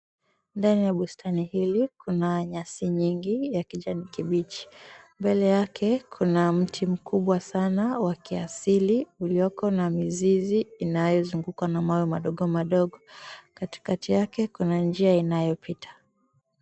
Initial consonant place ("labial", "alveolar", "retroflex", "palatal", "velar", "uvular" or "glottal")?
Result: alveolar